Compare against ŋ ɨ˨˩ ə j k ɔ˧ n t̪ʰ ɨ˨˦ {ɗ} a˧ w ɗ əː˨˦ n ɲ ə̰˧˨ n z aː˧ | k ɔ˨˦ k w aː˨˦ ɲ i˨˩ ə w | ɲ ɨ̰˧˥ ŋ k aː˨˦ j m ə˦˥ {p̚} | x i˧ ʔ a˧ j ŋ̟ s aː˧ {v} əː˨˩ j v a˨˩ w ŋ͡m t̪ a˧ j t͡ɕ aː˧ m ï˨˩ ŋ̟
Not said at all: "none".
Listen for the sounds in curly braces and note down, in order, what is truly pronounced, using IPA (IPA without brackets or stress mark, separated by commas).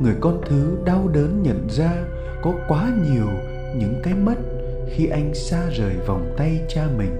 ɗ, t̚, z